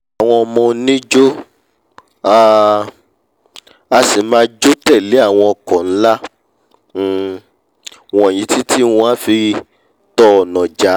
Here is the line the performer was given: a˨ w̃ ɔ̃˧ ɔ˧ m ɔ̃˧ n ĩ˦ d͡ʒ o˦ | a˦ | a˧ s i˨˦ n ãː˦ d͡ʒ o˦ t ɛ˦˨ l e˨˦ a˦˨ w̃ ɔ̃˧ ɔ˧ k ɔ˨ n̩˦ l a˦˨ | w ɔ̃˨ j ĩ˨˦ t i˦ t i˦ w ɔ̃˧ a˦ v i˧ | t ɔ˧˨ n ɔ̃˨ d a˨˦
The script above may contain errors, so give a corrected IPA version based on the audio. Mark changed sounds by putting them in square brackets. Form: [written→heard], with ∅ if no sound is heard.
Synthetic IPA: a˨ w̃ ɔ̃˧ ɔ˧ m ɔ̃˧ n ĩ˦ d͡ʒ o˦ | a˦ | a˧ s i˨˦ [n→m] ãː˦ d͡ʒ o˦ t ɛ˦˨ l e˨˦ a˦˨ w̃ ɔ̃˧ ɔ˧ k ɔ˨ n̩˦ l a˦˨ | w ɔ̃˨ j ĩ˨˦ t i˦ t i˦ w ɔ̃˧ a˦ [v→f] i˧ | t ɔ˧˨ n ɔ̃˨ [d→d͡ʒ] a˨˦

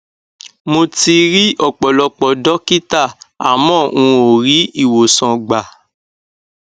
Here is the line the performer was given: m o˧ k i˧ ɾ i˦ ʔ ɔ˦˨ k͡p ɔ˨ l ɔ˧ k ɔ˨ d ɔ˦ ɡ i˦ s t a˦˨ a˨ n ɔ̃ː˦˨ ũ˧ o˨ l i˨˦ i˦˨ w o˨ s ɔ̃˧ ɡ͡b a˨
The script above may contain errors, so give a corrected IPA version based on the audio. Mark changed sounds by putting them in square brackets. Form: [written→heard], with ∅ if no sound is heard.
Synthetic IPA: m o˧ [k→t] i˧ ɾ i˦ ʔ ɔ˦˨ k͡p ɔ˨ l ɔ˧ [k→k͡p] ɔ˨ d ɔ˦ [ɡ→k] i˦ [s→∅] t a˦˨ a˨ [n→m] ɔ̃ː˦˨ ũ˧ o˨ [l→ɾ] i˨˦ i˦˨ w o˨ s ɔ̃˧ ɡ͡b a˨

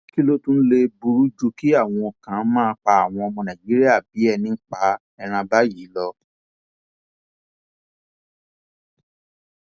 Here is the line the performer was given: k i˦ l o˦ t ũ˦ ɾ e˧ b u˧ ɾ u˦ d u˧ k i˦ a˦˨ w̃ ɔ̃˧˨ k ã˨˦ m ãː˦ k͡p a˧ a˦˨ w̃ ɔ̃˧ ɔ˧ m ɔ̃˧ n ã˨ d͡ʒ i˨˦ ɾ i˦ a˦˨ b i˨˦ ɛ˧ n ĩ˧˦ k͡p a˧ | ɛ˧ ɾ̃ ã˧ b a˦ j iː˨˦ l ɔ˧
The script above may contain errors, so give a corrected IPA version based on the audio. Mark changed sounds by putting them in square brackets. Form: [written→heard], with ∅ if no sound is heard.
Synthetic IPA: k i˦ l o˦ t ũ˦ [ɾ→l] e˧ b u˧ ɾ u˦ [d→d͡ʒ] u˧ k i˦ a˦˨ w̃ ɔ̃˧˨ k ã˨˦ m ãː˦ k͡p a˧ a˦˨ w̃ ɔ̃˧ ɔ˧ m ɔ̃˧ n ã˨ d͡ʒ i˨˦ ɾ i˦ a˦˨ b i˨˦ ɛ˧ n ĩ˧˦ k͡p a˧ | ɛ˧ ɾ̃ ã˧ b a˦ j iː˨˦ l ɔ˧

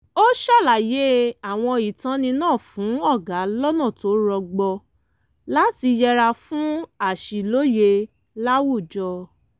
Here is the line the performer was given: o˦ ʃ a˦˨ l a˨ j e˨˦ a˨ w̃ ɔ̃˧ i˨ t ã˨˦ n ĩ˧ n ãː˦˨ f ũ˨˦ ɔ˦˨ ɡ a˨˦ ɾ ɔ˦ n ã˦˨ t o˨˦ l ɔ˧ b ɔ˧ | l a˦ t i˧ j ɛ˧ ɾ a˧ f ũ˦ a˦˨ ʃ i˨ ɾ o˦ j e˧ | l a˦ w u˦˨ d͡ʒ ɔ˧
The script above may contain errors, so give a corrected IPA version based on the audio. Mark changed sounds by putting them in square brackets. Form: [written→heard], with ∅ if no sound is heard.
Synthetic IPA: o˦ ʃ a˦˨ l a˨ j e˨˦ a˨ w̃ ɔ̃˧ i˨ t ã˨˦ n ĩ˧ n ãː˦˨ f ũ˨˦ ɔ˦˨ ɡ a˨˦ [ɾ→l] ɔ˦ n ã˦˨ t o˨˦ [l→ɾ] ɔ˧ [b→ɡ͡b] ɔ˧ | l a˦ t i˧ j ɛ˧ ɾ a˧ f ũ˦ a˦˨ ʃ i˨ [ɾ→l] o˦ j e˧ | l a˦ w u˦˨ d͡ʒ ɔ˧

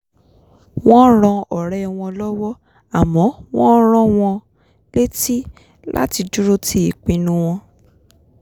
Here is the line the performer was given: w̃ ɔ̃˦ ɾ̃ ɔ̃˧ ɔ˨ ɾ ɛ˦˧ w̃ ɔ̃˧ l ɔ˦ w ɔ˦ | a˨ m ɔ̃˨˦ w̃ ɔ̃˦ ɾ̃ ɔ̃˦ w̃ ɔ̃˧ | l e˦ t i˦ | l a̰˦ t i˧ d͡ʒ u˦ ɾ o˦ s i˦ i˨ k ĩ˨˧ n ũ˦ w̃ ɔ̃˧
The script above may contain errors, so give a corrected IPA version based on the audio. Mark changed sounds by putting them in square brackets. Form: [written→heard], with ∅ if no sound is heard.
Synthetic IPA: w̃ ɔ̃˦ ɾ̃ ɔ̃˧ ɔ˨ ɾ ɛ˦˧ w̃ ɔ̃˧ l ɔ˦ w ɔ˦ | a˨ m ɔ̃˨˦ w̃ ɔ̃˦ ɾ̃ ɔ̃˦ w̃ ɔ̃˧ | l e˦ t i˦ | l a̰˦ t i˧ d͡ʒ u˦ ɾ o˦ [s→t] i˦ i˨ [k→k͡p] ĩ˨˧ n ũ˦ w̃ ɔ̃˧

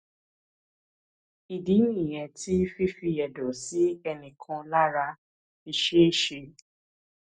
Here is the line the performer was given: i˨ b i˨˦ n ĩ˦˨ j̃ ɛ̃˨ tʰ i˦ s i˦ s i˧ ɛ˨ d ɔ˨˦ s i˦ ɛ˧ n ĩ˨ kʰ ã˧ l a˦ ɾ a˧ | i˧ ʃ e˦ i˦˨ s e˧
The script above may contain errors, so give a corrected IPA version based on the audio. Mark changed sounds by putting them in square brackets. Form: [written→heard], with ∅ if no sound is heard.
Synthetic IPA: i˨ [b→d] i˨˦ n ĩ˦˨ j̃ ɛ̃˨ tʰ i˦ [s→f] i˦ [s→f] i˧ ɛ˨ d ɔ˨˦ s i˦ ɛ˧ n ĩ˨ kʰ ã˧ l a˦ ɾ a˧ | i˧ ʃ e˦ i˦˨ [s→ʃ] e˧

